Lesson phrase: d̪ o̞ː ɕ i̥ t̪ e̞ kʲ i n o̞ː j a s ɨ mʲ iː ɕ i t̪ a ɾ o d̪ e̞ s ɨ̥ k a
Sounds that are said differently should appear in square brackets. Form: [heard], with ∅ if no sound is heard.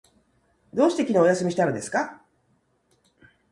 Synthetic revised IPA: d̪ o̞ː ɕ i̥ t̪ e̞ kʲ i n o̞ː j a s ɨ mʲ [i] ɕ i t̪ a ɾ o d̪ e̞ s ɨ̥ k a